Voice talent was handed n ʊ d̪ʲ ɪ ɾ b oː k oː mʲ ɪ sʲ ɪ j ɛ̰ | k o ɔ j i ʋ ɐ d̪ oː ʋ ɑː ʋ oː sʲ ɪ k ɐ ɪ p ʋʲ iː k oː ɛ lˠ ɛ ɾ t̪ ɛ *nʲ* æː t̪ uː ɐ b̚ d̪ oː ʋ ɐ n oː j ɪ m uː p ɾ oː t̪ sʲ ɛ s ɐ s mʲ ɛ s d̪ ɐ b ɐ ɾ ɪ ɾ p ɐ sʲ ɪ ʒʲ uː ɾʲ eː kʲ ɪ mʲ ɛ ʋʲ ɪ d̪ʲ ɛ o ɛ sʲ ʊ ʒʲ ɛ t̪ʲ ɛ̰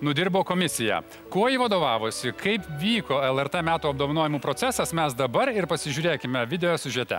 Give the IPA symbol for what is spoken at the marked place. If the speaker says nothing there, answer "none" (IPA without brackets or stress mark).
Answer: mʲ